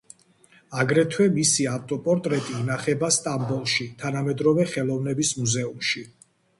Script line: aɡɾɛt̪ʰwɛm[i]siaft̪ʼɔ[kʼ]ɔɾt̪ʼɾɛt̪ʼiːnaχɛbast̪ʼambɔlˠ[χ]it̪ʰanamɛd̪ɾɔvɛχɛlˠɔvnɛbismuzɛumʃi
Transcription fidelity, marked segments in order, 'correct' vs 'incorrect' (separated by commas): correct, incorrect, incorrect